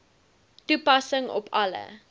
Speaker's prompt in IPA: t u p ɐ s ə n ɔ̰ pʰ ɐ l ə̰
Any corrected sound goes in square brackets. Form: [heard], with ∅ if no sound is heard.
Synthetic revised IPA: t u p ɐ s ə [ŋ] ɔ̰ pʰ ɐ l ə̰

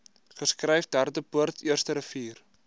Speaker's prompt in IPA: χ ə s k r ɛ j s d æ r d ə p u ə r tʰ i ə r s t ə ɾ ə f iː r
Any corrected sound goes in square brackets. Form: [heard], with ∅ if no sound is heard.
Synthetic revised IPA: χ ə s k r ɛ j [f] d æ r d ə p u ə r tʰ i ə r s t ə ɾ ə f iː r

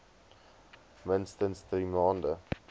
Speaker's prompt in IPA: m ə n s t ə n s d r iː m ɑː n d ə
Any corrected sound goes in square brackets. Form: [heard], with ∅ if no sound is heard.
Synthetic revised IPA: m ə n s t ə n s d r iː m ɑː n d ə

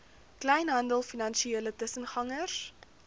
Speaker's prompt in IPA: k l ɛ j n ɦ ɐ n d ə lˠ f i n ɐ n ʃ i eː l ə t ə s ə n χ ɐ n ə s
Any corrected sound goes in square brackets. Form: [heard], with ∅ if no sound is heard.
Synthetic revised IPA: k l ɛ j n ɦ ɐ n d ə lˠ f i n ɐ n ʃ i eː l ə t ə s ə n χ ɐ [ŋ] ə s

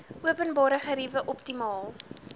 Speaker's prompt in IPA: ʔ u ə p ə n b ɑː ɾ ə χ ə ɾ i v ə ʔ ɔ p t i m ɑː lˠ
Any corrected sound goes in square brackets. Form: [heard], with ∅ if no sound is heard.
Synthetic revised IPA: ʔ u ə p ə n b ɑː ɾ ə χ ə ɾ i v ə ʔ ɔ p t i m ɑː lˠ

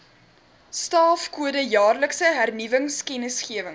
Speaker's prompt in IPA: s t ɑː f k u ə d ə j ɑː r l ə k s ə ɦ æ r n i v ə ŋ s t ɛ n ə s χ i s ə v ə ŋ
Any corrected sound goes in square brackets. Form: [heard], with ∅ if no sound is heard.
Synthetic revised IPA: s t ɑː f k u ə d ə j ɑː r l ə k s ə ɦ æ r n i v ə ŋ s [k] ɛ n ə s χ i [∅] ə v ə ŋ

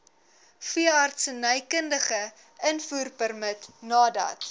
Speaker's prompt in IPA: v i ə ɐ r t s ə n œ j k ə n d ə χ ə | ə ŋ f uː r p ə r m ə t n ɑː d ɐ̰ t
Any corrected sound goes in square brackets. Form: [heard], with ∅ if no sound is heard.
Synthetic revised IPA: [f] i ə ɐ r t s ə n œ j k ə n d ə χ ə | ə [n] f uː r p ə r m ə t n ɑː d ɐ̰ t

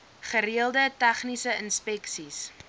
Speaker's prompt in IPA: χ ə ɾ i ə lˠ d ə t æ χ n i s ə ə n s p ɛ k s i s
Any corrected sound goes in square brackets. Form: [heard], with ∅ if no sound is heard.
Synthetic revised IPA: χ ə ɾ i ə lˠ d ə t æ χ n i s ə ə n s p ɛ k s i s

